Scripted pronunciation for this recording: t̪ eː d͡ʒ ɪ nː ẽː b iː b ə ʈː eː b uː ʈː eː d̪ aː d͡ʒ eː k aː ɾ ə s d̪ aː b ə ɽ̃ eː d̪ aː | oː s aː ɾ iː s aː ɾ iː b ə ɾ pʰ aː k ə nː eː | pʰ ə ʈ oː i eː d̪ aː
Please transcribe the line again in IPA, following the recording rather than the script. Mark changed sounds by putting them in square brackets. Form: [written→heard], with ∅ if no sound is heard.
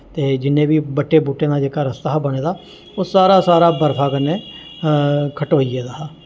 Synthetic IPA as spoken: t̪ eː d͡ʒ ɪ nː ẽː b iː b ə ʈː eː b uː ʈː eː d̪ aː d͡ʒ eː k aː ɾ ə s [d̪→t̪] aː b ə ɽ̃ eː d̪ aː | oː s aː ɾ [iː→aː] s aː ɾ [iː→aː] b ə ɾ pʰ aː k ə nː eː | [pʰ→kʰ] ə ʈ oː i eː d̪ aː